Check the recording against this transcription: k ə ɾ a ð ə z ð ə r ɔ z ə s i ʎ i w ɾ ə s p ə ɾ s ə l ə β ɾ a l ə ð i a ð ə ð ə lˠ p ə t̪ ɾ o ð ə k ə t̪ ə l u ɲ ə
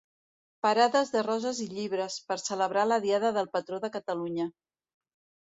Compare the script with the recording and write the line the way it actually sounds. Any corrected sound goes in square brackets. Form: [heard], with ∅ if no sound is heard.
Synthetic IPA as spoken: [p] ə ɾ a ð ə z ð ə r ɔ z ə [z] i ʎ i [β] ɾ ə s p ə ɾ s ə l ə β ɾ a l ə ð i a ð ə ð ə lˠ p ə t̪ ɾ o ð ə k ə t̪ ə l u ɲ ə

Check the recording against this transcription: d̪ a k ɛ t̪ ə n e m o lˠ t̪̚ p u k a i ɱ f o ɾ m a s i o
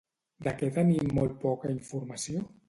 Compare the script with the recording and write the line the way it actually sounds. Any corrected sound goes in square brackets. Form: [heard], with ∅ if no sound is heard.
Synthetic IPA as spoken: d̪ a k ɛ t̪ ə n [i] m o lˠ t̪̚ p [ɔ] k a i ɱ f [u] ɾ m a s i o

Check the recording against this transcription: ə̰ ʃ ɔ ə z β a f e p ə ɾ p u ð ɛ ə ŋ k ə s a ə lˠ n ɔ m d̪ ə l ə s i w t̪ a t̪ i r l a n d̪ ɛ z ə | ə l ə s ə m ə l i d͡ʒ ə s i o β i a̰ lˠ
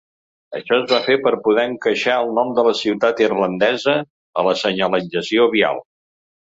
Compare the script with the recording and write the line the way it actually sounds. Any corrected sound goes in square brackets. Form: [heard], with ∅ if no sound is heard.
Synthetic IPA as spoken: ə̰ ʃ ɔ ə z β a f e p ə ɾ p u ð ɛ ə ŋ k ə [ʃ] a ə lˠ n ɔ m d̪ ə l ə s i w t̪ a t̪ i r l [ə] n d̪ ɛ z ə | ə l ə s ə [ɲ] ə l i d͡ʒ ə s i o β i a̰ lˠ

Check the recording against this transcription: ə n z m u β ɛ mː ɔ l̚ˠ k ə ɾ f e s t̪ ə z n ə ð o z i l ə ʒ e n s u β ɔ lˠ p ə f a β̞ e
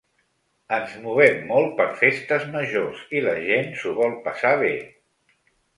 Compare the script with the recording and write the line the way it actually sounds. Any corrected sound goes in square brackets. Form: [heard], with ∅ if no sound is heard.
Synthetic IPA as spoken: ə n z m u β ɛ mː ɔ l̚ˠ [p] ə ɾ f e s t̪ ə z [m] ə [ʒ] o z i l ə ʒ e n s u β ɔ lˠ p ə [s] a β̞ e

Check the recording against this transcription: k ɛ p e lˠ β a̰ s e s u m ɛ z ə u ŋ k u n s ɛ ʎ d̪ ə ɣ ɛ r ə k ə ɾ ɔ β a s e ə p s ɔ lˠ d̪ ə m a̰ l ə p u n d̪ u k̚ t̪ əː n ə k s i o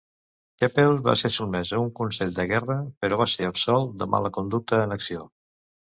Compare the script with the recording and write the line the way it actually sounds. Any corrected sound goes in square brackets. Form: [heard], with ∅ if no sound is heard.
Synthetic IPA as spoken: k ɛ p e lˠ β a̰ s e s u m ɛ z ə u ŋ k u n s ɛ ʎ d̪ ə ɣ ɛ r ə [p] ə ɾ ɔ β a s e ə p s ɔ lˠ d̪ ə m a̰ l ə [k] u n d̪ u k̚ t̪ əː n ə k s i o

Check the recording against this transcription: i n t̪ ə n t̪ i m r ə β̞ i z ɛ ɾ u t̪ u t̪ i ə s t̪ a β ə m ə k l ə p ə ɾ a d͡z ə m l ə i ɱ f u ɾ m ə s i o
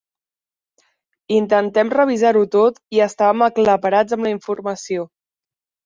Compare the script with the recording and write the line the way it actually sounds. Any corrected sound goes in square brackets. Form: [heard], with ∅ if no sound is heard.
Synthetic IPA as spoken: i n t̪ ə n t̪ [ɛ] m r ə β̞ i z [a] ɾ u t̪ [o] t̪ i ə s t̪ a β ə m ə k l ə p ə ɾ a d͡z ə m l ə i ɱ f u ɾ m ə s i o

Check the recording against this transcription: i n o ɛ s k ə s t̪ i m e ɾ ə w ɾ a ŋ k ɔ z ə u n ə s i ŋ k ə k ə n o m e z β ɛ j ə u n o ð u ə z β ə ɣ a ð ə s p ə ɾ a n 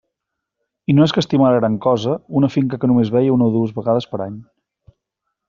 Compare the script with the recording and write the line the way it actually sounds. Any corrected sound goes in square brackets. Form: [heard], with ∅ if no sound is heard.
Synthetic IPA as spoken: i n o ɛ s k ə s t̪ i m [a] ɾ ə [ɣ] ɾ a ŋ k ɔ z ə u n ə [f] i ŋ k ə k ə n [u] m e z β ɛ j ə u n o ð u ə z β ə ɣ a ð ə s p ə ɾ a [ɲ]

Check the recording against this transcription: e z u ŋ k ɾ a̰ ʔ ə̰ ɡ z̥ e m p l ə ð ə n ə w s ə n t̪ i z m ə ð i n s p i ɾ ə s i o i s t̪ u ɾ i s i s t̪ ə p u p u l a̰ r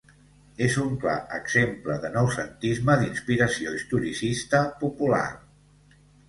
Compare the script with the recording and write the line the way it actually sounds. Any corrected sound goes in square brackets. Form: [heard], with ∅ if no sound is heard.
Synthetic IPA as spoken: e z u ŋ k [l] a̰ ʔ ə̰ ɡ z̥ e m p l ə ð ə n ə w s ə n t̪ i z m ə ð i n s p i ɾ ə s i o i s t̪ u ɾ i s i s t̪ ə p u p u l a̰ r

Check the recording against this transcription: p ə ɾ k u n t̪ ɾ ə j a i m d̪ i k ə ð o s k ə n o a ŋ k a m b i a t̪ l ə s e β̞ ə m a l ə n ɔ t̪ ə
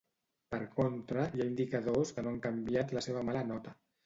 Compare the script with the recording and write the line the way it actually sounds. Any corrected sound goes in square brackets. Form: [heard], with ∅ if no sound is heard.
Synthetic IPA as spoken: p ə ɾ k [o] n t̪ ɾ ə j a i [n] d̪ i k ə ð o s k ə n o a ŋ k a m b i a t̪ l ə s e β̞ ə m a l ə n ɔ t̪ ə

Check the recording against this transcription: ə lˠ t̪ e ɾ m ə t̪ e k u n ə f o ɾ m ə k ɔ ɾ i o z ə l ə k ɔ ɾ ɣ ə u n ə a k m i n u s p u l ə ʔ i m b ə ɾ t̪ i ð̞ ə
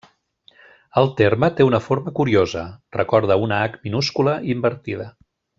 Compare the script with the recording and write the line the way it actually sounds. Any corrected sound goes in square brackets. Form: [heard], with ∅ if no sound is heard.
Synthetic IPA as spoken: ə lˠ t̪ e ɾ m ə t̪ e [∅] u n ə f o ɾ m ə k [u] ɾ i o z ə [r] ə k ɔ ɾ [ð] ə u n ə a k m i n u s [k] u l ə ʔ i m b ə ɾ t̪ i ð̞ ə

